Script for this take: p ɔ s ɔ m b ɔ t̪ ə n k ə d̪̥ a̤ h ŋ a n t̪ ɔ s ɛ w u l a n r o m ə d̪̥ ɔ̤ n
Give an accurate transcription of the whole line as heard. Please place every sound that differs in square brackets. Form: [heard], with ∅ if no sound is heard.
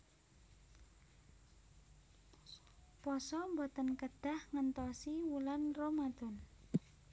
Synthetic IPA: p ɔ s ɔ m b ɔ t̪ ə n k ə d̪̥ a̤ h ŋ [ə] n t̪ ɔ s [i] w u l a n r o m [a] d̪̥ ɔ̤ n